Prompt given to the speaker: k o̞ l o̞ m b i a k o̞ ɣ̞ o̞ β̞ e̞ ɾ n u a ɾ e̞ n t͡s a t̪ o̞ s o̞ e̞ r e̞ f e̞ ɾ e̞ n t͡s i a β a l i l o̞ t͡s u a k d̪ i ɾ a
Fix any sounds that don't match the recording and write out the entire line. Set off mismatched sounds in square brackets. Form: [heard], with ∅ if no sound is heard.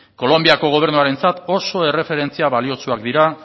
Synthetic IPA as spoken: k o̞ l o̞ m b i a k o̞ ɣ̞ o̞ β̞ e̞ ɾ n u a ɾ e̞ n t͡s a t̪ o̞ s o̞ e̞ r e̞ f e̞ ɾ e̞ n t͡s i a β a l i [∅] o̞ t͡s u a k d̪ i ɾ a

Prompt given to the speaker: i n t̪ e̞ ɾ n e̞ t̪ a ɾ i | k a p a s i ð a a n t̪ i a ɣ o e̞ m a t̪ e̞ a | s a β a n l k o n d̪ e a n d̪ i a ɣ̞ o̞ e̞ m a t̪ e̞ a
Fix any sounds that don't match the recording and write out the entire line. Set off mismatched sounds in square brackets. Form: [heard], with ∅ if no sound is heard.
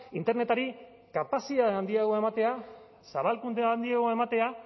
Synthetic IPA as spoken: i n t̪ e̞ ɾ n e̞ t̪ a ɾ i | k a p a s i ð a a n [d̪] i a ɣ o e̞ m a t̪ e̞ a | s a β a [∅] l k [u] n d̪ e a n d̪ i a ɣ̞ o̞ e̞ m a t̪ e̞ a

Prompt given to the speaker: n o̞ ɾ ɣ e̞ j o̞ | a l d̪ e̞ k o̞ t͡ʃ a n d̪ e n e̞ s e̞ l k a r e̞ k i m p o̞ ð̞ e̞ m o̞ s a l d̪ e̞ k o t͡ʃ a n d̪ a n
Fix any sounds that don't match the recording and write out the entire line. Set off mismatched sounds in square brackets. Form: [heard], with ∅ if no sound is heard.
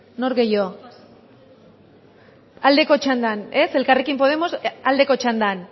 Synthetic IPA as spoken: n o̞ ɾ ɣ e̞ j o̞ | a l d̪ e̞ k o̞ t͡ʃ a n d̪ [a] n e̞ s e̞ l k a r e̞ k i m p o̞ ð̞ e̞ m o̞ s a l d̪ e̞ k o t͡ʃ a n d̪ a n

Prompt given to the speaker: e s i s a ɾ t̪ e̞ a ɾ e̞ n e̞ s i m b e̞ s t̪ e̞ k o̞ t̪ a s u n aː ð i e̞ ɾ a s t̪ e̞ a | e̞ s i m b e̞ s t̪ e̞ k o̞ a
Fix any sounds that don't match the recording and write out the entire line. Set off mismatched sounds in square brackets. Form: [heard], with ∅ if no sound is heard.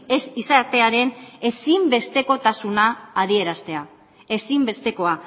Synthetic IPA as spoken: e s i s a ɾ t̪ e̞ a ɾ e̞ n e̞ s i m b e̞ s t̪ e̞ k o̞ t̪ a s u n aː ð i e̞ ɾ a s t̪ e̞ a | e̞ s i m b e̞ s t̪ e̞ k o̞ a

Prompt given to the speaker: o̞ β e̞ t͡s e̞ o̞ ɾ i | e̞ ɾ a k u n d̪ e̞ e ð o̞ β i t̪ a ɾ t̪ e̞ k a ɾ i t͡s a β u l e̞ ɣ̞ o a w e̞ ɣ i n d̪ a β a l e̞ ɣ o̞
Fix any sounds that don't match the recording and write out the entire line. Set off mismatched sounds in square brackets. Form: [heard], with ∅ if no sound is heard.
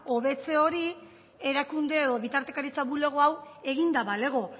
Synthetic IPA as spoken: o̞ β e̞ t͡s e̞ o̞ ɾ i | e̞ ɾ a k u n d̪ e̞ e ð o̞ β i t̪ a ɾ t̪ e̞ k a ɾ i t͡s a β u l e̞ ɣ̞ o a w e̞ ɣ i n d̪ a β a l e̞ ɣ o̞

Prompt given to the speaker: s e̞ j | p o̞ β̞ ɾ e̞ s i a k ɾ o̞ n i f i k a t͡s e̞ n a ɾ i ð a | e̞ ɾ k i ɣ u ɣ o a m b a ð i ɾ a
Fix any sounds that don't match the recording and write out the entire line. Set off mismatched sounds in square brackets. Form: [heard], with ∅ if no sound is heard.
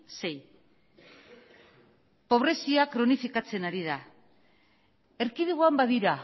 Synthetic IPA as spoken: s e̞ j | p o̞ β̞ ɾ e̞ s i a k ɾ o̞ n i f i k a t͡s e̞ n a ɾ i ð a | e̞ ɾ k i [ð] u ɣ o a m b a ð i ɾ a

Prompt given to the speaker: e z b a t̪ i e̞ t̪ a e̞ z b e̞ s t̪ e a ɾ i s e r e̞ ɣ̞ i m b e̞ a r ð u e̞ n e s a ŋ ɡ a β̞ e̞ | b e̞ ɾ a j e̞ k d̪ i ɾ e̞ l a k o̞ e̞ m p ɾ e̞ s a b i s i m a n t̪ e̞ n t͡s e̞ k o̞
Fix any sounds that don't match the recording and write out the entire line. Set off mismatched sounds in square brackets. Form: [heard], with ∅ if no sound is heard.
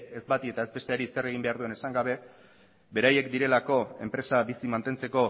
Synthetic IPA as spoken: e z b a t̪ i e̞ t̪ a e̞ z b e̞ s t̪ e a ɾ i s e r e̞ ɣ̞ i m b e̞ a [ɾ] ð u e̞ n e s a ŋ ɡ a β̞ e̞ | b e̞ ɾ a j e̞ k d̪ i ɾ e̞ l a k o̞ e̞ m p ɾ e̞ s a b i s i m a n t̪ e̞ n t͡s e̞ k o̞

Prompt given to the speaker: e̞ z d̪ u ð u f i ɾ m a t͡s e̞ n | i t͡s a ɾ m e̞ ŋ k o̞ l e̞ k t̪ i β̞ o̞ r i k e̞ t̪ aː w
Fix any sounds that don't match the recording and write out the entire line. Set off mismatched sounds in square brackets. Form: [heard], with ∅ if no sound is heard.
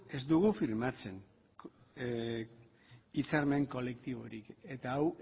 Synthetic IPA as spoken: e̞ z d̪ u [ɣ] u f i ɾ m a t͡s e̞ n | i t͡s a ɾ m e̞ ŋ k o̞ l e̞ k t̪ i β̞ o̞ [ɾ] i k e̞ t̪ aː w

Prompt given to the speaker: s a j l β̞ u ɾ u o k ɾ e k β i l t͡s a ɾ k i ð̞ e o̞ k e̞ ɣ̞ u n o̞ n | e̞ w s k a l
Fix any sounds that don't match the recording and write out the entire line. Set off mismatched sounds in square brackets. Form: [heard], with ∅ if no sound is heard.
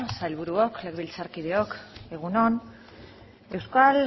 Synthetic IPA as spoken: s a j l β̞ u ɾ u o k [l] e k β i l t͡s a ɾ k i ð̞ e o̞ k e̞ ɣ̞ u n o̞ n | e̞ w s k a l

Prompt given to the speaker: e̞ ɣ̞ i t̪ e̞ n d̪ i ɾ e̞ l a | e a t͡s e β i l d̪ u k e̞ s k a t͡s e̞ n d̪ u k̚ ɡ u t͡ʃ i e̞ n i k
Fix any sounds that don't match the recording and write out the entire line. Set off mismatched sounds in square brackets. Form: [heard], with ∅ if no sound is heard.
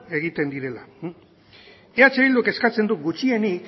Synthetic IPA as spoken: e̞ ɣ̞ i t̪ e̞ n d̪ i ɾ e̞ l a | e a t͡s e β i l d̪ u k e̞ s k a t͡s e̞ n d̪ u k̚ ɡ u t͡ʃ i e̞ n i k

